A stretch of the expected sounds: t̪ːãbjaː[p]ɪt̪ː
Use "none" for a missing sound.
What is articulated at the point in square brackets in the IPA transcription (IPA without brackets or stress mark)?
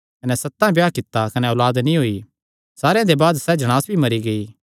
k